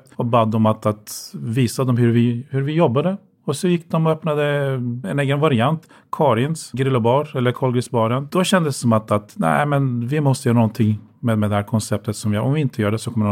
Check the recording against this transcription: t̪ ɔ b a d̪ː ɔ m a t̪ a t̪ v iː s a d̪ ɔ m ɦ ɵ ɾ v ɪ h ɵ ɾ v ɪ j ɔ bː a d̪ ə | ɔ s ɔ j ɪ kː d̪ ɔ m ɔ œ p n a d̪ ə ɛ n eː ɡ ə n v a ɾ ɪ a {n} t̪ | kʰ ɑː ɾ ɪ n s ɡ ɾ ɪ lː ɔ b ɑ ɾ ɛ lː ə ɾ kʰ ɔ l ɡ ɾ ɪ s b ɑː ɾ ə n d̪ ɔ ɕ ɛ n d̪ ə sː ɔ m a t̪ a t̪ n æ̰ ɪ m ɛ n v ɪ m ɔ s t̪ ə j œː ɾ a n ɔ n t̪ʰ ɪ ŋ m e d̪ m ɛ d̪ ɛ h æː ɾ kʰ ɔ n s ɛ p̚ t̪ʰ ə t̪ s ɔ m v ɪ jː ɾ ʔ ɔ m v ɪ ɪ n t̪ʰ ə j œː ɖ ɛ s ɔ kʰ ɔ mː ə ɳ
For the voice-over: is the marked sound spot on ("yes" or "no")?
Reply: yes